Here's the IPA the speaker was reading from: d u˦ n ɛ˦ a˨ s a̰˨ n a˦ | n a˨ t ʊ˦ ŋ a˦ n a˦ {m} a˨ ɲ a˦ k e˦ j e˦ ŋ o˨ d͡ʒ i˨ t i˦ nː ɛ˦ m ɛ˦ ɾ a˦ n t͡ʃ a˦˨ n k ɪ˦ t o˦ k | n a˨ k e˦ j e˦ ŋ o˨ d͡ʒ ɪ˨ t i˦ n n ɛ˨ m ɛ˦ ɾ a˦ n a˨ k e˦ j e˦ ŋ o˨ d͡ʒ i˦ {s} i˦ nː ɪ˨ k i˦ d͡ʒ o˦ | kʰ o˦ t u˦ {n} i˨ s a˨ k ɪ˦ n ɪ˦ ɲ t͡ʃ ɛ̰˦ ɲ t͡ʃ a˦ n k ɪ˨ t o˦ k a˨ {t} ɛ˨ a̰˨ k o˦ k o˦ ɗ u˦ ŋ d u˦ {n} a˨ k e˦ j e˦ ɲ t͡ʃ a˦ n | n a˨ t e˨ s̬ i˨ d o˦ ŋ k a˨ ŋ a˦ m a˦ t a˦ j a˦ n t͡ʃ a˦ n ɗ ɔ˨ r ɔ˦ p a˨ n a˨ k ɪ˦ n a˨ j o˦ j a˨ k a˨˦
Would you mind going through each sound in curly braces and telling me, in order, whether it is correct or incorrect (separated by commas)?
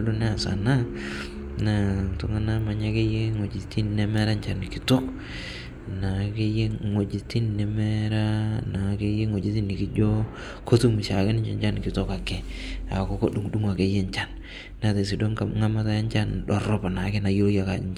correct, incorrect, incorrect, incorrect, incorrect